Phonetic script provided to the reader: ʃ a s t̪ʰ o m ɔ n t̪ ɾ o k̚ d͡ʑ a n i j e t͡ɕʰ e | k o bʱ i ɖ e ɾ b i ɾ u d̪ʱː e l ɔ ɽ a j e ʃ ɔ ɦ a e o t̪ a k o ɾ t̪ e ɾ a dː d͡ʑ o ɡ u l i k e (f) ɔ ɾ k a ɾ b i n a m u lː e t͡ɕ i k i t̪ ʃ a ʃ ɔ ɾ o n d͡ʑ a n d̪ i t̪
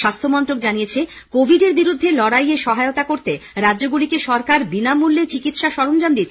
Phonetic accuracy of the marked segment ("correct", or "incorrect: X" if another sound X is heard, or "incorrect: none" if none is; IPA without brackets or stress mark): incorrect: ʃ